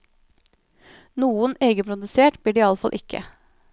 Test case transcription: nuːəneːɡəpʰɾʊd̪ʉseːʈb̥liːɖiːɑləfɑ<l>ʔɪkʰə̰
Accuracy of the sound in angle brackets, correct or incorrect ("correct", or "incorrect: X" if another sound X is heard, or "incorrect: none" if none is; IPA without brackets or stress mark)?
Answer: correct